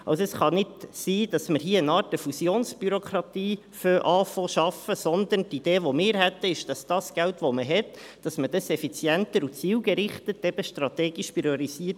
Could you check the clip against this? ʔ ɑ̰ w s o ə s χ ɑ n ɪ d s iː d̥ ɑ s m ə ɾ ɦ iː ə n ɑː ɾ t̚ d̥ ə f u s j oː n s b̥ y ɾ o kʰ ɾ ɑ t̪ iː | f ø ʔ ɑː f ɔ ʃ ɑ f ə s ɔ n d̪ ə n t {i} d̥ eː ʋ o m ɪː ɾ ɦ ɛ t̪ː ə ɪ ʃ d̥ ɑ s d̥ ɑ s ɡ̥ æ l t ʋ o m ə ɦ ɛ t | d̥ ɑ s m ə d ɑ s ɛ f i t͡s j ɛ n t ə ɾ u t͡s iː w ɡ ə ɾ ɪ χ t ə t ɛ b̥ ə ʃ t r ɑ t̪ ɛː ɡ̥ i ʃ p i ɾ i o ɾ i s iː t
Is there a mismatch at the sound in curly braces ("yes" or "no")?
no